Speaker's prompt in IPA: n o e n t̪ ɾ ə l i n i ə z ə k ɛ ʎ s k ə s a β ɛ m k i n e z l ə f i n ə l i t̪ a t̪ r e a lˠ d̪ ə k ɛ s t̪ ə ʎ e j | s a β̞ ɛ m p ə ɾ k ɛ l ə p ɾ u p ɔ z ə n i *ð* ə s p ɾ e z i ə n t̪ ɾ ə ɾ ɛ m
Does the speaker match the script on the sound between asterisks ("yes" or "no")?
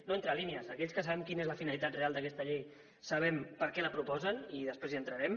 yes